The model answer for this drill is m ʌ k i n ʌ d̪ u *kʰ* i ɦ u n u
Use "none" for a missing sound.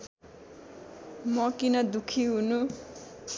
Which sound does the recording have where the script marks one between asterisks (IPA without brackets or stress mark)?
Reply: kʰ